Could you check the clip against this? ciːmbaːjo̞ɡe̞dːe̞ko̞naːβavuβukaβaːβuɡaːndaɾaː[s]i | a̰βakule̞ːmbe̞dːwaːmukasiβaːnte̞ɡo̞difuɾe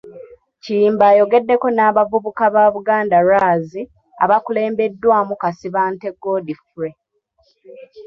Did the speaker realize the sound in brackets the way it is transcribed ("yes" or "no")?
no